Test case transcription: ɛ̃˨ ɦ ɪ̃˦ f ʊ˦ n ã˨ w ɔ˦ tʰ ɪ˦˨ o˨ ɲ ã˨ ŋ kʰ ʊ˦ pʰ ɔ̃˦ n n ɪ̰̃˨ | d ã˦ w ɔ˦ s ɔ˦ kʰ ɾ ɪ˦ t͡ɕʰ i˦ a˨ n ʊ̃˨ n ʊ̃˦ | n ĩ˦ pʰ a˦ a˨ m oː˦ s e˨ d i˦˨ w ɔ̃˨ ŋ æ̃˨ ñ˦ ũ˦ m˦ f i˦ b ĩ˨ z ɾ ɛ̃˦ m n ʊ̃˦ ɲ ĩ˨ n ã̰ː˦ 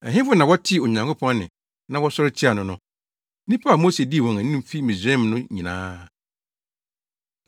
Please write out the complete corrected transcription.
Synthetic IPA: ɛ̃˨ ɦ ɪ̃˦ f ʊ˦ n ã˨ w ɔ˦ tʰ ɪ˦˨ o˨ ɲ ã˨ ŋ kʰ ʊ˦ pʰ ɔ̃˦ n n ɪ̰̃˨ | n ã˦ w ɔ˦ s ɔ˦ ɾ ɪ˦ t͡ɕʰ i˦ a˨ n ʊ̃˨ n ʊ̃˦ | n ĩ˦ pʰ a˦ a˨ m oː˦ s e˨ d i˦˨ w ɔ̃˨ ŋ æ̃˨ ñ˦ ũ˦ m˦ f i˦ m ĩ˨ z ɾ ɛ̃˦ m n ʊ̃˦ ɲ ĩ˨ n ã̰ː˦